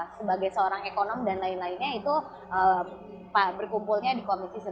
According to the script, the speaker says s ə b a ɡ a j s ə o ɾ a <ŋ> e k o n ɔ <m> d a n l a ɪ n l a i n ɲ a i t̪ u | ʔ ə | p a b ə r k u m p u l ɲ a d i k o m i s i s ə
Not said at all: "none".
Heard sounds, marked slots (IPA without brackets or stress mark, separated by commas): ŋ, m